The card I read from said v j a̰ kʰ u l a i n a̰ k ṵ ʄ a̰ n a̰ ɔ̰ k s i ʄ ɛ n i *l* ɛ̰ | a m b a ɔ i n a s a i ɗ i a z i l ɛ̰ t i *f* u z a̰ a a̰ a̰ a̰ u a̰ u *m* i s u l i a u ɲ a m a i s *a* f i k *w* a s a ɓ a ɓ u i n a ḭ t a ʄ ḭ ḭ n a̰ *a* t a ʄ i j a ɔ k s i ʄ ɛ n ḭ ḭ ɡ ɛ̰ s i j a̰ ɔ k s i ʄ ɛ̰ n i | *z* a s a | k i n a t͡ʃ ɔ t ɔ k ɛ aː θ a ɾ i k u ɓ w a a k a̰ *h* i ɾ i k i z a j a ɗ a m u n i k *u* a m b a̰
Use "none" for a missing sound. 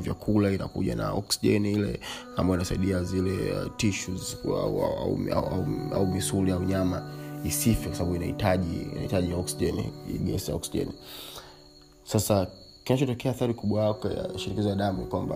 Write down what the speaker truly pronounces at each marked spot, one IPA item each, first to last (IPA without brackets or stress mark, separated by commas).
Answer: l, ʃ, m, i, w, i, s, ʃ, w